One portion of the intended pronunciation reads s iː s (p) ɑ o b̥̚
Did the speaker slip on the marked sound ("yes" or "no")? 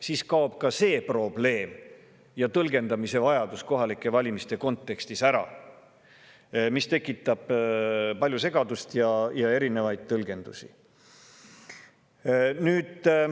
yes